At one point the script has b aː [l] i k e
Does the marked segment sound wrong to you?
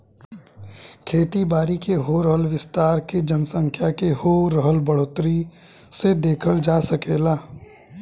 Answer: yes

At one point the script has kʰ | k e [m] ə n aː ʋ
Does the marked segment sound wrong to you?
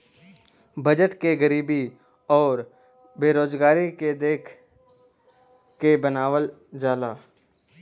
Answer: yes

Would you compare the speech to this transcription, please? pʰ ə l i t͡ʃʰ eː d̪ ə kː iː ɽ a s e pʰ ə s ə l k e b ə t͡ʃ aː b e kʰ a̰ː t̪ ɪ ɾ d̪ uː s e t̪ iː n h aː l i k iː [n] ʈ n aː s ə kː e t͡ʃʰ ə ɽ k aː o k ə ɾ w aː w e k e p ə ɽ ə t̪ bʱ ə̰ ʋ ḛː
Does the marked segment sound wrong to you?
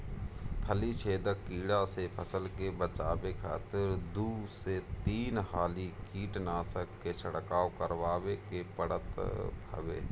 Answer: yes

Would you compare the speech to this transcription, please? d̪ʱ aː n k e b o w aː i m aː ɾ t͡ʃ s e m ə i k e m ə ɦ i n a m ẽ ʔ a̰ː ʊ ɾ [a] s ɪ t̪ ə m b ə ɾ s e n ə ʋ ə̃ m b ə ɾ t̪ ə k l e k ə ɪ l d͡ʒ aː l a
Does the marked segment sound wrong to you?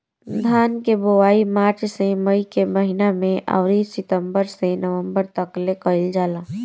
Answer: yes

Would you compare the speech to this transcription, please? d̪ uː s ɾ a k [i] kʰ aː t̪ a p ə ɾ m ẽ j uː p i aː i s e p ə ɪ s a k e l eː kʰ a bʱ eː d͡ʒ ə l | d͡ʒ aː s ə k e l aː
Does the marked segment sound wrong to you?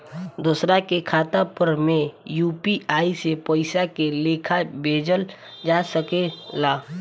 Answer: yes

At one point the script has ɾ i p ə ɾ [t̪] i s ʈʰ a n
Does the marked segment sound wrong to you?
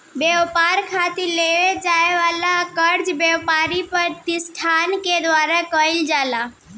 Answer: no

